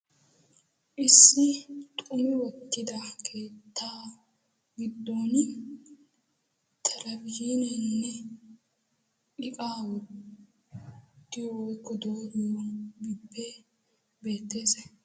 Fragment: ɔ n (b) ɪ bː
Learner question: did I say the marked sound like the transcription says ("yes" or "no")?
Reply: yes